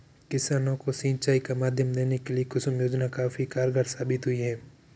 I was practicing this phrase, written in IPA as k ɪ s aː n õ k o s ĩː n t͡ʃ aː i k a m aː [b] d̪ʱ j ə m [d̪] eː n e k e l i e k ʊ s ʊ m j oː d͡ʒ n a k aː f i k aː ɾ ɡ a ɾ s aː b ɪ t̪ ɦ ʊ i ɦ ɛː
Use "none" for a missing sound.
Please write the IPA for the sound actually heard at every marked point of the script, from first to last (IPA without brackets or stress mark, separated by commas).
none, d̪